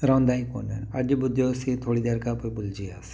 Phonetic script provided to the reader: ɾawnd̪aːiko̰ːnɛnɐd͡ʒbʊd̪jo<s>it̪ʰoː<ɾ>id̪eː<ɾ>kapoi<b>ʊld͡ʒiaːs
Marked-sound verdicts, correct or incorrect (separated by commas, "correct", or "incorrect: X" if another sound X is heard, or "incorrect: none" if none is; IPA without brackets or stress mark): correct, incorrect: ɽ, correct, correct